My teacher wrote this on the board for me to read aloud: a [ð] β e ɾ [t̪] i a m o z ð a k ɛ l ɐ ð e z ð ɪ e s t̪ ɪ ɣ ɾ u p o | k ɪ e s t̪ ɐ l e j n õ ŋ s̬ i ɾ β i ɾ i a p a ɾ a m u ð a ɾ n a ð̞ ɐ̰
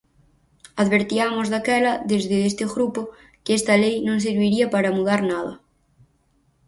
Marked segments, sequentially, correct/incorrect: correct, correct

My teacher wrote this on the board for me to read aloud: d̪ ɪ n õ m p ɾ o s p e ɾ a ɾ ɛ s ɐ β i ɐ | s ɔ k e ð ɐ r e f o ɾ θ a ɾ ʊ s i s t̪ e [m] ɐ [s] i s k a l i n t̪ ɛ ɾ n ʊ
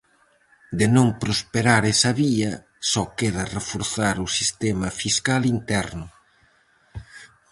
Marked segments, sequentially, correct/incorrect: correct, incorrect

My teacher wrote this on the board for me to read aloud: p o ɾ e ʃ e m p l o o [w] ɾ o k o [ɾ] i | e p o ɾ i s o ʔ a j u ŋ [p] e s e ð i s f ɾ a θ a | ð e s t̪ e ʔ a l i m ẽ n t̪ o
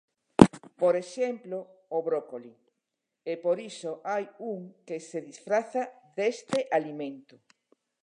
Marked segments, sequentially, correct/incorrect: incorrect, incorrect, incorrect

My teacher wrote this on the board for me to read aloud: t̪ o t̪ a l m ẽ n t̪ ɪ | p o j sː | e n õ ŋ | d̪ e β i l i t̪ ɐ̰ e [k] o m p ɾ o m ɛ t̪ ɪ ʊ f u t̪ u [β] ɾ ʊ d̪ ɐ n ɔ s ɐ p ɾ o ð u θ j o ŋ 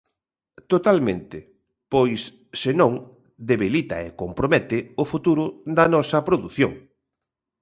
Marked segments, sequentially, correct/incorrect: correct, incorrect

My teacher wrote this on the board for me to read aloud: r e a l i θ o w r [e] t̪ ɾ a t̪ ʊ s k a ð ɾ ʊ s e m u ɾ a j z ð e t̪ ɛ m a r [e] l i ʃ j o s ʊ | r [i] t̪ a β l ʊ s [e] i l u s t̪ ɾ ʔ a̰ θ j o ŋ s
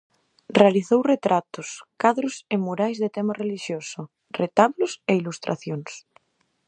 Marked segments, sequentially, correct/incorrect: correct, correct, incorrect, correct

